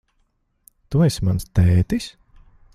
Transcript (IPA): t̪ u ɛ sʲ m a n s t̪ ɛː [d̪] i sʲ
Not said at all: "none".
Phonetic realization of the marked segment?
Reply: t̪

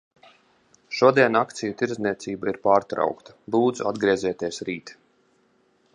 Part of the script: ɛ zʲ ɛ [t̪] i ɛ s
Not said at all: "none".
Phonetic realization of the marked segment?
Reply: t̪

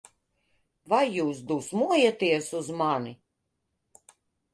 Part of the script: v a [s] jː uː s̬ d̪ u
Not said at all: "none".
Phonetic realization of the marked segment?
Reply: none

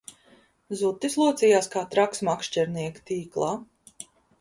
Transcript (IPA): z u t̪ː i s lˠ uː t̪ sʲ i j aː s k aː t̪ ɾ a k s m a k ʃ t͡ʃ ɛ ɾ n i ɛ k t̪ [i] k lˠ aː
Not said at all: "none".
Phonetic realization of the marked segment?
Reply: iː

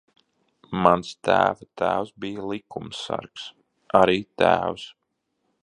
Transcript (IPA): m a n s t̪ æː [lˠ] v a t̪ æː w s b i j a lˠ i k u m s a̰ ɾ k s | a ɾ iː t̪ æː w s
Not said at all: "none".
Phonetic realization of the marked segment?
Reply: none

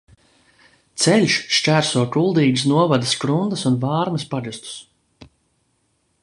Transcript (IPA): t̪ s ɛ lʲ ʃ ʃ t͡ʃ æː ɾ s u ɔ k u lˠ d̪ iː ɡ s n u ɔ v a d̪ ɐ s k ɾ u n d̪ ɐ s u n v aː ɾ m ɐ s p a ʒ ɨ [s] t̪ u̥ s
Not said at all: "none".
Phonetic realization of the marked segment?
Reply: s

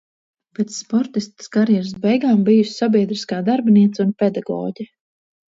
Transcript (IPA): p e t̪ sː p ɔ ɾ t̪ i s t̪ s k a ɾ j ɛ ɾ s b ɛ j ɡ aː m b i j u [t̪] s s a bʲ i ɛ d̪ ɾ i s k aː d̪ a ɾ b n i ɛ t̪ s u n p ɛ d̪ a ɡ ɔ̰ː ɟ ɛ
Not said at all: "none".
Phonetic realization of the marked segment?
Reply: none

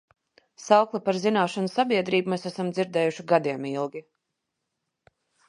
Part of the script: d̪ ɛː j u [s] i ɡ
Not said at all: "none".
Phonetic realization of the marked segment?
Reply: ʃ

